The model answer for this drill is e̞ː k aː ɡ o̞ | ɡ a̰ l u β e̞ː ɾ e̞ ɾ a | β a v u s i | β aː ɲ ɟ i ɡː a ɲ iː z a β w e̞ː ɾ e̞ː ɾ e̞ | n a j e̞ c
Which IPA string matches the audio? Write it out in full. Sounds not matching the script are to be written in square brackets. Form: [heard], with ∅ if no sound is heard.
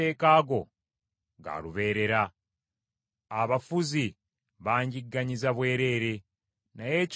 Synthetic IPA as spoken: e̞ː k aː ɡ o̞ | ɡ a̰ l u β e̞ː ɾ e̞ ɾ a | β a [f] u [z] i | β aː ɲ ɟ i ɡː a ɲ [i] z a β w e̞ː ɾ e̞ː ɾ e̞ | n a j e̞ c